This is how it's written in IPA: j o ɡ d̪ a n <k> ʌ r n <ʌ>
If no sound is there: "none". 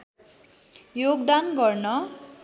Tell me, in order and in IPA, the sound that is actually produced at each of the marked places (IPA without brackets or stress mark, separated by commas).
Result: ɡ, ʌ